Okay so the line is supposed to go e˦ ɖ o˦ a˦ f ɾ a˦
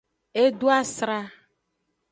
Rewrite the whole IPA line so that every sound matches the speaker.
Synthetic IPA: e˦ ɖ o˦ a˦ s ɾ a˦